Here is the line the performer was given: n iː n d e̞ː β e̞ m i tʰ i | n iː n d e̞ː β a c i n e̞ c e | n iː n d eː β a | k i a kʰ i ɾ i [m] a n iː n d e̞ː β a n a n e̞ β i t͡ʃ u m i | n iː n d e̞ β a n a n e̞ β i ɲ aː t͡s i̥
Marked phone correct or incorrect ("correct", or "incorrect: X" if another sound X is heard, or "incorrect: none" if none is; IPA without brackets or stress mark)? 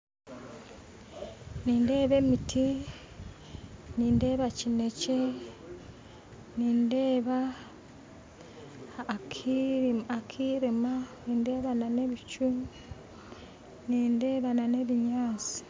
correct